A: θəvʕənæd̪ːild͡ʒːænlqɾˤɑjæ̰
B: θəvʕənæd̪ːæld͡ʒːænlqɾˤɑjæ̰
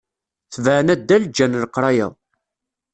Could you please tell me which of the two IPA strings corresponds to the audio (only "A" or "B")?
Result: B